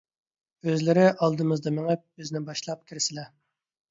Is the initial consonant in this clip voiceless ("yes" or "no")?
no